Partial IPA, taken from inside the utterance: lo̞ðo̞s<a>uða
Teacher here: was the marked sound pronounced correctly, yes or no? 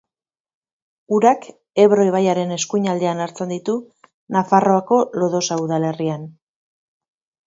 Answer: yes